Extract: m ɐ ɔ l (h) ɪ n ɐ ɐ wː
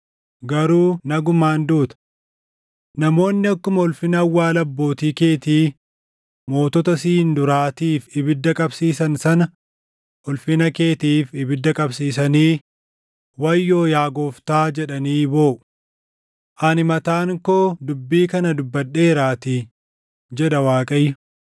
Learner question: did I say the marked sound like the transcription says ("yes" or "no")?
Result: no